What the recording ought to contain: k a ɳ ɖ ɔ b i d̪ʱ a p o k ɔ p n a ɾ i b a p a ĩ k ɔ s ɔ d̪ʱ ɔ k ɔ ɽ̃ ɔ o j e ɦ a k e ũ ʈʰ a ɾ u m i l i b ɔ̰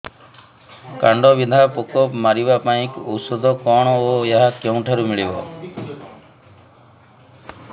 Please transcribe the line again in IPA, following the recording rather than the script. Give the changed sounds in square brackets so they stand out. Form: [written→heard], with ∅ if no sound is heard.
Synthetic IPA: k a ɳ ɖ ɔ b i d̪ʱ a p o k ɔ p [n→m] a ɾ i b a p a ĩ k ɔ s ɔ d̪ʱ ɔ k ɔ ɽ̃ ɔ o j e ɦ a k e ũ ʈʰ a ɾ u m i [l→ɭ] i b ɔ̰